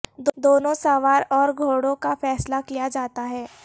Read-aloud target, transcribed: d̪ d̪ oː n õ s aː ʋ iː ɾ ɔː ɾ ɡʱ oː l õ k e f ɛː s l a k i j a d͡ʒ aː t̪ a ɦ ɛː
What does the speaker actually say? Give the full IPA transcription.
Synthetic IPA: d̪ d̪ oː n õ s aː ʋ aː ɾ ɔː ɾ ɡʱ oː ɽ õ k a f ɛː s l a k i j a d͡ʒ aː t̪ a ɦ ɛː